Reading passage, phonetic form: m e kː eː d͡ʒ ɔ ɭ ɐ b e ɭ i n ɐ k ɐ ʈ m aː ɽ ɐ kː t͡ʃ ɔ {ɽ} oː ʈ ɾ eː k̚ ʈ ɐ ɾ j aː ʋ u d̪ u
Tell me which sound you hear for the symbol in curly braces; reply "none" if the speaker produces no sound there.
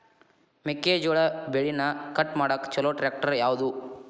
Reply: l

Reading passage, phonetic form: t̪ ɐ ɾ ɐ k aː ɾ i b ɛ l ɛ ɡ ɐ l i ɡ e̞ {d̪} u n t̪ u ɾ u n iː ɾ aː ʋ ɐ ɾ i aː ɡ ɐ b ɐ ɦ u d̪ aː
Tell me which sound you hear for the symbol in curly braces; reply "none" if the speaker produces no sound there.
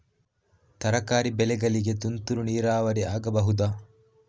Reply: t̪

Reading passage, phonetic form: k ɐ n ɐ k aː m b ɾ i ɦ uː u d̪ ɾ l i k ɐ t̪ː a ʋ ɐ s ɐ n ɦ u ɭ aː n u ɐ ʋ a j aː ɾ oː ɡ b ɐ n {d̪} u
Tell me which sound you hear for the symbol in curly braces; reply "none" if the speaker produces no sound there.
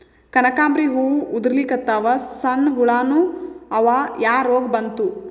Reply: t̪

